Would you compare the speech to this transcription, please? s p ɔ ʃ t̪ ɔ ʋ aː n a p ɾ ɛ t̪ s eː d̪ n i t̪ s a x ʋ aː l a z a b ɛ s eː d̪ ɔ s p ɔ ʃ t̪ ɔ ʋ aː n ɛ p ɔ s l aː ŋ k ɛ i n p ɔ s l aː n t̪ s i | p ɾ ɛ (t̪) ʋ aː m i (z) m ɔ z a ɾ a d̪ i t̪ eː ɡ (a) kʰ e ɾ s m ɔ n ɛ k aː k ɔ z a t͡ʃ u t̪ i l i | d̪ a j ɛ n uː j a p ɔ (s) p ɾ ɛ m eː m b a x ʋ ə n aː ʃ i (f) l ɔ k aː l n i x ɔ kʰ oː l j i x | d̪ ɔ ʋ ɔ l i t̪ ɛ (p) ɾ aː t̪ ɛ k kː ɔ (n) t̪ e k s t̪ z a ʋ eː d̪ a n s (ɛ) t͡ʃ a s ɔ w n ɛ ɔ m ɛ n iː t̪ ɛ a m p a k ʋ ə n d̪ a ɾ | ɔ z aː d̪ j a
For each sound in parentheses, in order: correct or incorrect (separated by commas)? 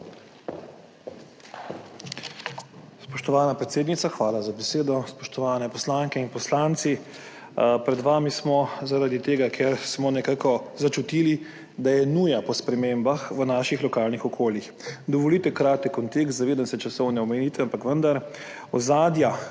incorrect, incorrect, correct, correct, incorrect, incorrect, correct, correct